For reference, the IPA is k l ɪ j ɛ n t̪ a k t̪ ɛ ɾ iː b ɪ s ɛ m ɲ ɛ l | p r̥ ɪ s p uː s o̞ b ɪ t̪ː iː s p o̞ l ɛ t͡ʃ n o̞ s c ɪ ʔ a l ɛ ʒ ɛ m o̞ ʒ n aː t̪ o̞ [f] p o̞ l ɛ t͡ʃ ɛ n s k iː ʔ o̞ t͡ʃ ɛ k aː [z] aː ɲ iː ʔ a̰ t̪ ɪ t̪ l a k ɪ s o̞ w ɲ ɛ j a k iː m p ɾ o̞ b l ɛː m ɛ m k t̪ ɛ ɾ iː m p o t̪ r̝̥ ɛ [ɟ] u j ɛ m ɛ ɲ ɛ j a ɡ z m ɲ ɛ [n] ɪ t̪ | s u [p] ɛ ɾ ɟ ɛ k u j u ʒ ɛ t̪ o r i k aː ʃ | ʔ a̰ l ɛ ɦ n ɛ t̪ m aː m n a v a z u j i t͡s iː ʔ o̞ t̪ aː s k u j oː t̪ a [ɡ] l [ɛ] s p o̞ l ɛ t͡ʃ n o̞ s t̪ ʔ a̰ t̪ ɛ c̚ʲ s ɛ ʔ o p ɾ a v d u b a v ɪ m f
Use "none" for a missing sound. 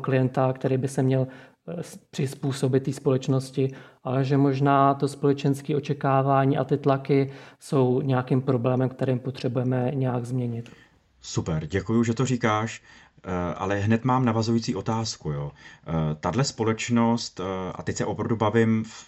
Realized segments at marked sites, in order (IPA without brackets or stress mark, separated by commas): s, v, b, ɲ, p, d, ɛ